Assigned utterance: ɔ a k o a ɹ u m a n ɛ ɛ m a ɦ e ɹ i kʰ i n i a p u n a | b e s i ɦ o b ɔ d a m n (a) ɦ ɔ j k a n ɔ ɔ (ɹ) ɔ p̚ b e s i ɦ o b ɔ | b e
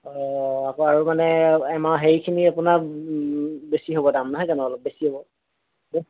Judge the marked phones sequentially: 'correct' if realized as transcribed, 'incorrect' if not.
correct, incorrect

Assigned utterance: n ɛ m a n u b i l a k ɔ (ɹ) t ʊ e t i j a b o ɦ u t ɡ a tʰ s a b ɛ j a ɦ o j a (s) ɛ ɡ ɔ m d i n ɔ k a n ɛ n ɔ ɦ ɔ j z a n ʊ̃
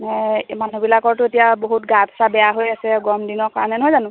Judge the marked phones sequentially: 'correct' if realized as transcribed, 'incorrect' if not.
correct, correct

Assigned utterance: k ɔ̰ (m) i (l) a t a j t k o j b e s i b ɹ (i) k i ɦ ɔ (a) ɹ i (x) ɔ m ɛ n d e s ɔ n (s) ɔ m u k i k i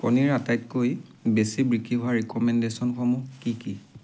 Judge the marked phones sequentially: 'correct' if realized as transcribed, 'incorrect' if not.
incorrect, incorrect, correct, correct, incorrect, incorrect

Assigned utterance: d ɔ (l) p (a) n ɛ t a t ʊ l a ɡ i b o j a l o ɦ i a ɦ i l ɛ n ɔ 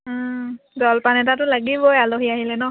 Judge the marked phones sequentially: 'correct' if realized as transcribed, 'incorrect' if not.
correct, correct

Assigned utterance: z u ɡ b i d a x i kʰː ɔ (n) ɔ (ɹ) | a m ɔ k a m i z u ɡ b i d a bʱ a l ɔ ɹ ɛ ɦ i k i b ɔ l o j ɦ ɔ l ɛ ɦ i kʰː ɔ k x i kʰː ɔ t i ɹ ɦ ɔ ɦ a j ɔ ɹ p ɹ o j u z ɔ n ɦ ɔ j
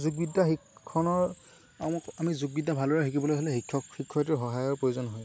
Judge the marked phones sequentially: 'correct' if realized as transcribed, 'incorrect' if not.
correct, correct

